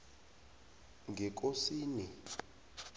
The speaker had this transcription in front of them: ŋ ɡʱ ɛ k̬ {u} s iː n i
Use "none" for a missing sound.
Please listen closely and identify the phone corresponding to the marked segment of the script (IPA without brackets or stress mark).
o